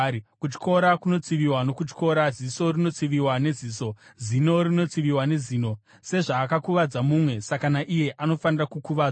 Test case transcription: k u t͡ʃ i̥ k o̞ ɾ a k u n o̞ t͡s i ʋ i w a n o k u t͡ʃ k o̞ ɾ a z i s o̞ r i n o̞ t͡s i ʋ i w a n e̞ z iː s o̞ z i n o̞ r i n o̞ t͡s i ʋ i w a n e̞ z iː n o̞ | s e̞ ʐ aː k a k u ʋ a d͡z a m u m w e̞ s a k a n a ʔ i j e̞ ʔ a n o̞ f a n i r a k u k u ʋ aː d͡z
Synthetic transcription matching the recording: k u t͡ʃ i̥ k o̞ ɾ a k u n o̞ t͡s i ʋ i w a n o k u t͡ʃ k o̞ ɾ a z i s o̞ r i n o̞ t͡s i ʋ i w a n e̞ z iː s o̞ z i n o̞ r i n o̞ t͡s i ʋ i w a n e̞ z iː n o̞ | s e̞ ʐ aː k a k u ʋ a d͡z a m u m w e̞ s a k a n a ʔ i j e̞ ʔ a n o̞ f a n i r a k u k u ʋ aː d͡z